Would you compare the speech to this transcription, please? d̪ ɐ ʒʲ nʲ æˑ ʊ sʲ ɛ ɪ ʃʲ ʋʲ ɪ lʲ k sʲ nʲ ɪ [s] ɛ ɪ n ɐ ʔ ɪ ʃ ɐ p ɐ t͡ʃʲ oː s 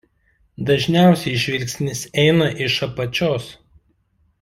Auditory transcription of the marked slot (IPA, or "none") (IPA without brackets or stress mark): s